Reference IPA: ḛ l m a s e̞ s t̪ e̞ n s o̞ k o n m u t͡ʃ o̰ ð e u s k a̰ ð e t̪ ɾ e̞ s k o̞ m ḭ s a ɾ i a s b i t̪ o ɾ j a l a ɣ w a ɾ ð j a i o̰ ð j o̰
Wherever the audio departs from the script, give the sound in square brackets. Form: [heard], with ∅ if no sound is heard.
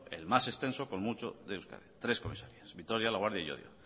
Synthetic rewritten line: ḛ l m a s e̞ s t̪ e̞ n s o̞ k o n m u t͡ʃ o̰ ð e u s k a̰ ð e t̪ ɾ e̞ s k o̞ m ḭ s a ɾ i a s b i t̪ o ɾ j a l a ɣ w a ɾ ð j a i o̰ ð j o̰